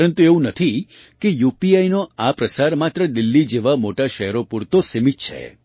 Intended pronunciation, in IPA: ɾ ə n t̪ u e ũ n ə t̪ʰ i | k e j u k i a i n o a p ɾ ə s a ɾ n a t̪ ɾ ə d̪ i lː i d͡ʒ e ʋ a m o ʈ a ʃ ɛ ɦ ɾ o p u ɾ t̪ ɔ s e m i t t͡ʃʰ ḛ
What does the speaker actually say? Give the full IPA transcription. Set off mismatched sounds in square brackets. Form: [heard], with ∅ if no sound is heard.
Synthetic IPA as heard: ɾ ə n t̪ u e ũ n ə t̪ʰ i | k e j u [p] i a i n o a p ɾ ə s a ɾ [m] a t̪ ɾ ə d̪ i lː i d͡ʒ e ʋ a m o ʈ a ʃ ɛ ɦ ɾ o p u ɾ t̪ [o] s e m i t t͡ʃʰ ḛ